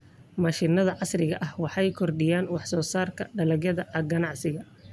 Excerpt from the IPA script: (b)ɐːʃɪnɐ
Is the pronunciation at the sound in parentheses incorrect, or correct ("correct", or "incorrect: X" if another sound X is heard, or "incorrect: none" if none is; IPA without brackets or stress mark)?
incorrect: m